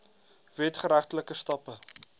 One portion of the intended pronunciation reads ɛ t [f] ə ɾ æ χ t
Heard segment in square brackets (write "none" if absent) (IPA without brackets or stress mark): χ